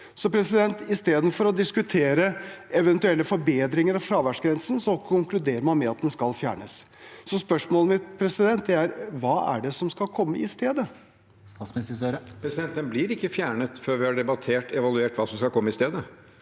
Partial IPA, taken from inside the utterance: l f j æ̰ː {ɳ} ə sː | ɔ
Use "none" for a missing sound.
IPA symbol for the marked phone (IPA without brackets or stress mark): ɳ